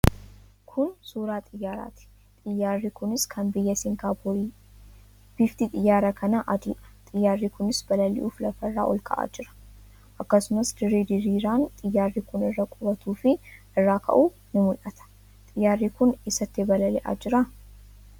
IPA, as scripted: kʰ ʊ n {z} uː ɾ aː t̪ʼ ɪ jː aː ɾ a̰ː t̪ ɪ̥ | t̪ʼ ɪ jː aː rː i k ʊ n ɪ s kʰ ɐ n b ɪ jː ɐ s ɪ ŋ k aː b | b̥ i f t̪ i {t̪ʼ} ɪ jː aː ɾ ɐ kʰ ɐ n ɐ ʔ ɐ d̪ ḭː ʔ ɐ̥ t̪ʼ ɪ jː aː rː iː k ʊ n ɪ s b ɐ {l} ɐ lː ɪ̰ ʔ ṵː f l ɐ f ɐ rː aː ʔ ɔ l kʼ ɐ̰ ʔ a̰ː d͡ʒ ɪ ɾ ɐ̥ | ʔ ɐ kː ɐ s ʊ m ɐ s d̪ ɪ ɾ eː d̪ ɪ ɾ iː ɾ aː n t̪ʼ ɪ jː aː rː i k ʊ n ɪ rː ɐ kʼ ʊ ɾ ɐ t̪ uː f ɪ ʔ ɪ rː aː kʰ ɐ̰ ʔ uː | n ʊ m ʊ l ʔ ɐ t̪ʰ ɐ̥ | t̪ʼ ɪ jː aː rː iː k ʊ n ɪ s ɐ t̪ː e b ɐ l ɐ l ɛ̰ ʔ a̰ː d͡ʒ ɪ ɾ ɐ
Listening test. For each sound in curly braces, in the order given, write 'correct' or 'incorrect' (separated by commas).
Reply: incorrect, correct, correct